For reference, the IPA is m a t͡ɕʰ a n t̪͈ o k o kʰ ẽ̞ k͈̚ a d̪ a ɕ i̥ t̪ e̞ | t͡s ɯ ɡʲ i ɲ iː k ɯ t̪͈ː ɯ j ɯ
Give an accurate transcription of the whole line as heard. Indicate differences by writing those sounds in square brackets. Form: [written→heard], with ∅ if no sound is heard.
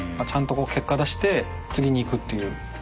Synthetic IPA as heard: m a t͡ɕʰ a n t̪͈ o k o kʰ [ẽ̞→e̞] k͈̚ a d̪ a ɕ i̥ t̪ e̞ | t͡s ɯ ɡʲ i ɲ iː k ɯ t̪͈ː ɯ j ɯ